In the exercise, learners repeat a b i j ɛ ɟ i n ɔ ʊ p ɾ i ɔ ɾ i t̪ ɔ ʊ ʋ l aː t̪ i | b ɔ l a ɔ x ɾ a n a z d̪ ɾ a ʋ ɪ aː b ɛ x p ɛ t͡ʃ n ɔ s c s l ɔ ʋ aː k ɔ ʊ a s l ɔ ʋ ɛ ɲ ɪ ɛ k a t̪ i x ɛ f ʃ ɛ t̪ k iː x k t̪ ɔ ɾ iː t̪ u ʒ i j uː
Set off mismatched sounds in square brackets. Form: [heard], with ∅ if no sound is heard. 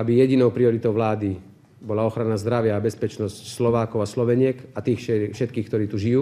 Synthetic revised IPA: a b i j ɛ ɟ i n ɔ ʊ p ɾ i ɔ ɾ i t̪ ɔ ʊ ʋ l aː [d̪] i | b ɔ l a ɔ x ɾ a n a z d̪ ɾ a ʋ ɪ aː b ɛ [s] p ɛ t͡ʃ n ɔ s c s l ɔ ʋ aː k ɔ ʊ a s l ɔ ʋ ɛ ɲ ɪ ɛ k a t̪ [iː] x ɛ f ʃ ɛ t̪ k iː x k t̪ ɔ ɾ iː t̪ u ʒ i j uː